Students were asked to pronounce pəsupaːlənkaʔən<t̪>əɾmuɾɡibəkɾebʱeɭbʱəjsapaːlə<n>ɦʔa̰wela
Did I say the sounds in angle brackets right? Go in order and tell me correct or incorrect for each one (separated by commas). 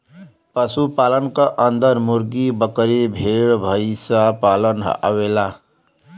incorrect, correct